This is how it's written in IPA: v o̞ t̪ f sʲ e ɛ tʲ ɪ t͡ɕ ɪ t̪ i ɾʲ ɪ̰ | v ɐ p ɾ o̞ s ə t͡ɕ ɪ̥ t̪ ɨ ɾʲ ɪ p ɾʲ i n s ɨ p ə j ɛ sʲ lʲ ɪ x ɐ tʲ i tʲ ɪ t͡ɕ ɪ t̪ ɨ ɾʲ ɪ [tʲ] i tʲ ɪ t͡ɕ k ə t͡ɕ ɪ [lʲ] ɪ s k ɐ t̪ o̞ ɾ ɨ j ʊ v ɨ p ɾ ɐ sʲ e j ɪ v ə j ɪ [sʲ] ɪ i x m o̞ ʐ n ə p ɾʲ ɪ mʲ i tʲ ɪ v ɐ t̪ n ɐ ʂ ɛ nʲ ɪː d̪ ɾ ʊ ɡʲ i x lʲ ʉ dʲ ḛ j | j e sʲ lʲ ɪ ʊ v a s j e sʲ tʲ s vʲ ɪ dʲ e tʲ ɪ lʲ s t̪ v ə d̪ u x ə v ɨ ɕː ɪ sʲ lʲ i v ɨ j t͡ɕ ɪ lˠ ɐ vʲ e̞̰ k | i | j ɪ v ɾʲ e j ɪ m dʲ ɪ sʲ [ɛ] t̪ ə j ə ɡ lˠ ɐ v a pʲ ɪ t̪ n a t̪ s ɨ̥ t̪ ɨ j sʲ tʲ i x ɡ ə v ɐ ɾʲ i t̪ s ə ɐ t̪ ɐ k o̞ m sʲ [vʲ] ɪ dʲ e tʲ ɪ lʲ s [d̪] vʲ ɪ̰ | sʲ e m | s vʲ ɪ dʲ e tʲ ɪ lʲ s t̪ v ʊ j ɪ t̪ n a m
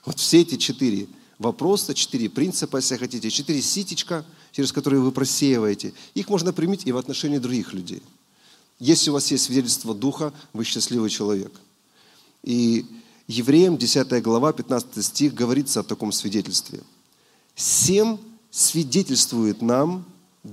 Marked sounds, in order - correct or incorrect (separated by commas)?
incorrect, incorrect, incorrect, incorrect, correct, incorrect